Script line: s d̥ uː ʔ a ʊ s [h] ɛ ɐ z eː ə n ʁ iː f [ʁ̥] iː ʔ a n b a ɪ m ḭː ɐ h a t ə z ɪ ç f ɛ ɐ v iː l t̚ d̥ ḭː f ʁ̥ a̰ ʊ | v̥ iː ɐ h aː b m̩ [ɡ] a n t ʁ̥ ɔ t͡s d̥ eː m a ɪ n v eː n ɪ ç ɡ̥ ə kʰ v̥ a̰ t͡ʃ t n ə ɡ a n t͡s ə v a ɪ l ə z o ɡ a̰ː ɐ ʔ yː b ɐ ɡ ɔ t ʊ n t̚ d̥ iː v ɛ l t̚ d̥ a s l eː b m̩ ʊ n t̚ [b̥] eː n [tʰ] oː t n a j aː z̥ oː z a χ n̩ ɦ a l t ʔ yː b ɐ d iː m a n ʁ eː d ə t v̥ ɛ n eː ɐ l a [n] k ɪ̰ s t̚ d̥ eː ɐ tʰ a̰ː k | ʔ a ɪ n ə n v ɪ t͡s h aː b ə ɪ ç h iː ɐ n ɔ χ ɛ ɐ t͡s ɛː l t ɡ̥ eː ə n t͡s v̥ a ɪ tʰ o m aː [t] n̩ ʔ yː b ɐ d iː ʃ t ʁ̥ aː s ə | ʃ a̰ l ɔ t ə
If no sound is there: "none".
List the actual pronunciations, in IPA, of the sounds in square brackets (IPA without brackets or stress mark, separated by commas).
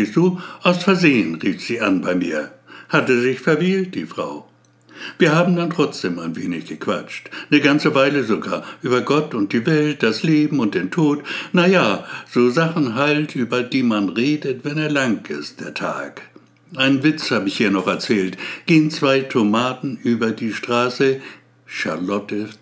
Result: f, z̥, d, d̥, tʰ, ŋ, t